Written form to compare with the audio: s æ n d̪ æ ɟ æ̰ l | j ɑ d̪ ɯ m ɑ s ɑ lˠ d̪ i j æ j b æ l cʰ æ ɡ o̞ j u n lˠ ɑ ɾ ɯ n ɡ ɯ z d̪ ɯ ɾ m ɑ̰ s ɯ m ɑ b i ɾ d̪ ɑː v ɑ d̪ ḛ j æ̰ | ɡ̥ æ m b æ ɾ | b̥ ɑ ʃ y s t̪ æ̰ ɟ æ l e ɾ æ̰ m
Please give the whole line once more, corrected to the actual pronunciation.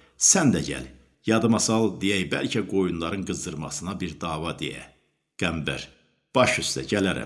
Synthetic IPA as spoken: s æ n d̪ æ ɟ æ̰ l | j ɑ d̪ ɯ m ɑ s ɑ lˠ d̪ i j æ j b æ l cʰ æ ɡ o̞ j u n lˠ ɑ ɾ ɯ n ɡ ɯ z d̪ ɯ ɾ m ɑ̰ s ɯ n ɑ b i ɾ d̪ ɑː v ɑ d̪ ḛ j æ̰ | ɡ̥ æ m b æ ɾ | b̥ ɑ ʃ y s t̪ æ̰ ɟ æ l æ ɾ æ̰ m